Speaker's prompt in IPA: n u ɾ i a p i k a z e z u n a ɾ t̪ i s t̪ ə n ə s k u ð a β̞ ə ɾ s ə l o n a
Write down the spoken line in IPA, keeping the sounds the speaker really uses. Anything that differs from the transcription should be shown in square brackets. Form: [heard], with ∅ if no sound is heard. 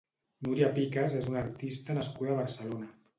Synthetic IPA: n u ɾ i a p i k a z e z u n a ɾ t̪ i s t̪ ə n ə s k u ð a β̞ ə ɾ s ə l o n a